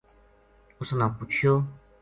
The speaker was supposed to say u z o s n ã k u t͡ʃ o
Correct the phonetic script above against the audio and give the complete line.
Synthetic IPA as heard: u s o n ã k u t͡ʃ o